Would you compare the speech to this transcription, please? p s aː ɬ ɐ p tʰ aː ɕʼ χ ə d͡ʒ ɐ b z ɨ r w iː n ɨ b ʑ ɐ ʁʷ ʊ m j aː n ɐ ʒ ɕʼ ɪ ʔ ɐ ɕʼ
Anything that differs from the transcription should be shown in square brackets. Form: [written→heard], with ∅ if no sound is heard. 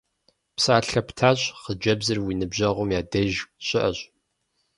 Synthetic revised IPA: p s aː ɬ ɐ p tʰ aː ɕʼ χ ə d͡ʒ ɐ b z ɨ r w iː n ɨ b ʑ ɐ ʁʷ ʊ m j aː [n→d] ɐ ʒ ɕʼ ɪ ʔ ɐ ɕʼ